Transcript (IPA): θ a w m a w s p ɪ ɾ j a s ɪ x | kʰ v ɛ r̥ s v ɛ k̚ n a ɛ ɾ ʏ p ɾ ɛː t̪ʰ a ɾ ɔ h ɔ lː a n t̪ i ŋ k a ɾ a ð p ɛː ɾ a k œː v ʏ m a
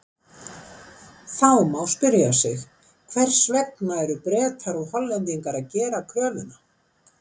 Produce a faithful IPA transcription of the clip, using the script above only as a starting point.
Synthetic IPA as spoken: θ a w m a w s p ɪ ɾ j a s ɪ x | kʰ v ɛ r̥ s v ɛ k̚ n a ɛ ɾ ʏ p ɾ ɛː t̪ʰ a ɾ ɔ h ɔ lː ɛ n t̪ i ŋ k a ɾ a ð c ɛː ɾ a kʰ œː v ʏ n a